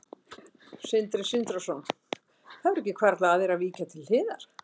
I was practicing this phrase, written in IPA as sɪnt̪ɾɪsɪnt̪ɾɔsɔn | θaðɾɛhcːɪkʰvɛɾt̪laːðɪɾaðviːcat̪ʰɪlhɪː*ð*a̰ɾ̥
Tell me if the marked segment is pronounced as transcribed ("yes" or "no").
yes